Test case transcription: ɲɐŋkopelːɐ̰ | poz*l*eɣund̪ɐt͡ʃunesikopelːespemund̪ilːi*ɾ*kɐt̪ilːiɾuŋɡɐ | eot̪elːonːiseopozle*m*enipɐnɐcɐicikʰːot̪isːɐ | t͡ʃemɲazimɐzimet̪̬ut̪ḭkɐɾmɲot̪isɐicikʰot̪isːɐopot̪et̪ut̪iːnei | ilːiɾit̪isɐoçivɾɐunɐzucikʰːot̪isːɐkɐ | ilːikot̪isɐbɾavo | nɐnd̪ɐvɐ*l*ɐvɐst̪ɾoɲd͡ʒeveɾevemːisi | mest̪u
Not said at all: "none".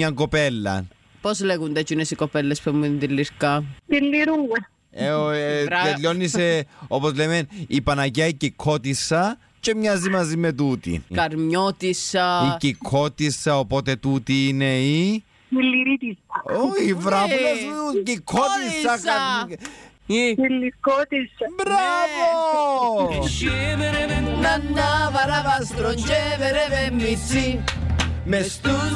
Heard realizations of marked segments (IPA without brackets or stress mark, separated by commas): l, ɾ, m, ɾ